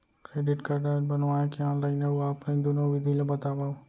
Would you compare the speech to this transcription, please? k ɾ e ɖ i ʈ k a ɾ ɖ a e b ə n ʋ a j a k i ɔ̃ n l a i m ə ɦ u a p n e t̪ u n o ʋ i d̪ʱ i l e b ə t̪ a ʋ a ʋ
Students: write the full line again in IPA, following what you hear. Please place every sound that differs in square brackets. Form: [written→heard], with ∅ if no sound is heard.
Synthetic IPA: k ɾ e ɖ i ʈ k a ɾ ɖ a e b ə n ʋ a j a k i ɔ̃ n l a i [m→n] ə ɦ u a p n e [t̪→d̪] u n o ʋ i d̪ʱ i l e b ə t̪ a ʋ a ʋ

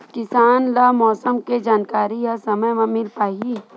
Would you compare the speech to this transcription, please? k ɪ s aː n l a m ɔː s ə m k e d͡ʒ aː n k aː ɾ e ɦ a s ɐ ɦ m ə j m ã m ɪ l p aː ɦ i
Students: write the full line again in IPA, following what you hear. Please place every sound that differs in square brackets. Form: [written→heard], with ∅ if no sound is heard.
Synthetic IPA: k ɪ s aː n l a m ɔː s ə m k e d͡ʒ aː n k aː ɾ [e→i] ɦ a s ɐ [ɦ→∅] m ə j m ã m ɪ l p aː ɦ i

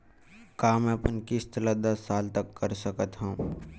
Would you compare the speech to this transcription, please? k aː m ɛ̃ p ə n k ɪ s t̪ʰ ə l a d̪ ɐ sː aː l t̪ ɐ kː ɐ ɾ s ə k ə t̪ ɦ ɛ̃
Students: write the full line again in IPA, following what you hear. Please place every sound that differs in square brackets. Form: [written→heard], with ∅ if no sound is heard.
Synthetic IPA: k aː m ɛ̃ p ə n k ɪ s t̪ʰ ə l a d̪ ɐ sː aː l t̪ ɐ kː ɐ ɾ s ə k ə t̪ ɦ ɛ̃

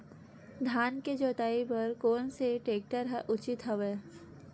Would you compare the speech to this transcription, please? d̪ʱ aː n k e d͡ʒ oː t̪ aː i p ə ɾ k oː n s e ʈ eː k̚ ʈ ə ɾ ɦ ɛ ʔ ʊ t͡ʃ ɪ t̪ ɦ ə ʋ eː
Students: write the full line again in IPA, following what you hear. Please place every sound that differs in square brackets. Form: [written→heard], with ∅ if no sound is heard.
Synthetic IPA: d̪ʱ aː n k e d͡ʒ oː t̪ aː i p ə ɾ k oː n s e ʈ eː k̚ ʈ ə ɾ ɦ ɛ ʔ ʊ t͡ʃ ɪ t̪ ɦ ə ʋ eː

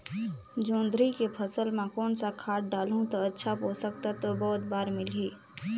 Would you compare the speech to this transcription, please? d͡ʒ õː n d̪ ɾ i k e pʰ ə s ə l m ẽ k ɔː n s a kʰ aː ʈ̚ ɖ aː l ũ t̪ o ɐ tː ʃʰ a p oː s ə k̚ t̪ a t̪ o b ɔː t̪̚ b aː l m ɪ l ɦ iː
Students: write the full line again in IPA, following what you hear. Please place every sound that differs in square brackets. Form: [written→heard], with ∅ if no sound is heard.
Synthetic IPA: d͡ʒ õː n d̪ ɾ i k e pʰ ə s ə l m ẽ k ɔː n s a kʰ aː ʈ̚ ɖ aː l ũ t̪ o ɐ tː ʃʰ a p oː s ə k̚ t̪ a t̪ o b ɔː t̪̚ b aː [l→ɾ] m ɪ l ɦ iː

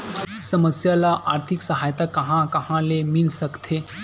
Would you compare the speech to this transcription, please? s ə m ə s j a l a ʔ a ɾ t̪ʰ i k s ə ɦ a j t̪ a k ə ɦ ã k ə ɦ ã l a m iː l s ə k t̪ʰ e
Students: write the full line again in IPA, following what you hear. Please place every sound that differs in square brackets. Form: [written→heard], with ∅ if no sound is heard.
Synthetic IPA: s ə m ə s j a l a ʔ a ɾ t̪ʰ i k s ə ɦ a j t̪ a k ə ɦ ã k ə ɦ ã l [a→e] m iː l s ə k t̪ʰ e

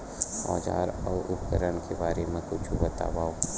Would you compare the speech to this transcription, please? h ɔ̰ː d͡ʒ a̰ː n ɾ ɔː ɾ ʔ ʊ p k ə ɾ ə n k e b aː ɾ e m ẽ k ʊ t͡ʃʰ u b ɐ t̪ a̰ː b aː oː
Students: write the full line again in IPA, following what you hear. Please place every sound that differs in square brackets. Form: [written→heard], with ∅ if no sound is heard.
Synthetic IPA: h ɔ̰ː d͡ʒ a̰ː [n→∅] ɾ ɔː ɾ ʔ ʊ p k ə ɾ ə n k e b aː ɾ e m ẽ k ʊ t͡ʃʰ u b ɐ t̪ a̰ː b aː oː

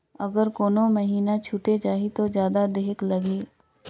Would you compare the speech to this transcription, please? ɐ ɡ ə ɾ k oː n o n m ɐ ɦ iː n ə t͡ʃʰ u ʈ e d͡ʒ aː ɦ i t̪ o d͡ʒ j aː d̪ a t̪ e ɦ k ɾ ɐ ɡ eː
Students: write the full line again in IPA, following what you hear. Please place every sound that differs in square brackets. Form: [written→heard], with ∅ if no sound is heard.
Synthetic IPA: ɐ ɡ ə ɾ k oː n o [n→∅] m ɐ ɦ iː n [ə→a] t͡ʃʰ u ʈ e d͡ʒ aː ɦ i t̪ o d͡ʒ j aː d̪ a [t̪→d̪] e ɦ k [ɾ→l] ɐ ɡ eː

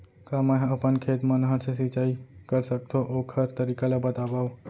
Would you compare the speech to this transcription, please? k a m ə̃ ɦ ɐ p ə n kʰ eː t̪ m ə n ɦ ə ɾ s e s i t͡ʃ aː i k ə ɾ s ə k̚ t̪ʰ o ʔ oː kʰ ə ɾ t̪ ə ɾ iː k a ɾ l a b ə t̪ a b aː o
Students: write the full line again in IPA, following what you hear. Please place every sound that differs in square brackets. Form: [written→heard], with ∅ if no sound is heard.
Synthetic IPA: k a m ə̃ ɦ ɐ p ə n kʰ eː t̪ m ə n ɦ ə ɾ s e s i t͡ʃ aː i k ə ɾ s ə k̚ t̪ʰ o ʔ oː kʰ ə ɾ t̪ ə ɾ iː k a [ɾ→∅] l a b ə t̪ a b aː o

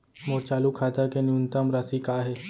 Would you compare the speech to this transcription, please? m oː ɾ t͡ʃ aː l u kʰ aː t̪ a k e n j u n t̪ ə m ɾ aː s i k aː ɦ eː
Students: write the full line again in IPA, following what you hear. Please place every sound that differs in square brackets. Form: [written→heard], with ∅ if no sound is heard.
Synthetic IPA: m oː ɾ t͡ʃ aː l u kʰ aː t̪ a k e n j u n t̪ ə m ɾ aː s i k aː ɦ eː

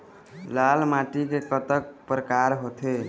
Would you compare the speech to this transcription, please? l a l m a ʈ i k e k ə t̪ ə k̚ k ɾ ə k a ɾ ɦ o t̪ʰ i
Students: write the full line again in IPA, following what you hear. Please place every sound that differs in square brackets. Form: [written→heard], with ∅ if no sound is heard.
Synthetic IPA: l a l m a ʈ i k e k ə t̪ ə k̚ [k→p] ɾ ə k a ɾ ɦ o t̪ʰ [i→e]

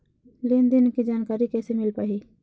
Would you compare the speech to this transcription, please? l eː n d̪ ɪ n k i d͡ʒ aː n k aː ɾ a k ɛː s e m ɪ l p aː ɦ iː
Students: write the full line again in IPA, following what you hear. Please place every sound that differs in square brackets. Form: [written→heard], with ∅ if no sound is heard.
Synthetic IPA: l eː n d̪ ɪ n k i d͡ʒ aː n k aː ɾ [a→i] k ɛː s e m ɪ l p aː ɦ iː

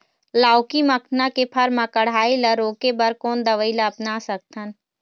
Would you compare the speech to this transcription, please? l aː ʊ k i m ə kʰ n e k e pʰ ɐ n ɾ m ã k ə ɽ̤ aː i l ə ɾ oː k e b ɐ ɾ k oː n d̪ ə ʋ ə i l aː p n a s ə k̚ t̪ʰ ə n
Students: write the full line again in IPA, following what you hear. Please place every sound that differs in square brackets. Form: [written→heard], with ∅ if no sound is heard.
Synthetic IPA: l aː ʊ k i m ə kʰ n [e→a] k e pʰ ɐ [n→∅] ɾ m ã k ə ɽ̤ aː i l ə ɾ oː k e b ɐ ɾ k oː n d̪ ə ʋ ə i l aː p n a s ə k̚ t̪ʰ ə n

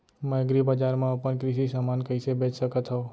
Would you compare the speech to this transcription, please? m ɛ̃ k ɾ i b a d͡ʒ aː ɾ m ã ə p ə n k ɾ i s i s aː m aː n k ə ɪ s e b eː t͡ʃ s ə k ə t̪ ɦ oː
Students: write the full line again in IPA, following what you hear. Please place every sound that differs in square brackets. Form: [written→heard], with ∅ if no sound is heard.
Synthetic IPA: m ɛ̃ [k→ɡ] ɾ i b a d͡ʒ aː ɾ m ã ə p ə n k ɾ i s i s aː m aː n k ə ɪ s e b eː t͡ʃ s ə k ə t̪ ɦ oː

